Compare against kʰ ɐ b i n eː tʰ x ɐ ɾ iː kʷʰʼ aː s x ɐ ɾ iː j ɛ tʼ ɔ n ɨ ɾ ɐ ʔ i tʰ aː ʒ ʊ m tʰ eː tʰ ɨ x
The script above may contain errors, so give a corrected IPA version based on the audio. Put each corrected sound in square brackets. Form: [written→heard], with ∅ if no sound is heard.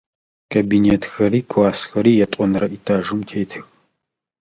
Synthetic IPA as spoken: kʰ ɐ b i n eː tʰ x ɐ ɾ iː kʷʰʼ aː s x ɐ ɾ iː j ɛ tʼ ɔ n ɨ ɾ ɐ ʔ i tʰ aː ʒ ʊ m tʰ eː tʰ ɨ x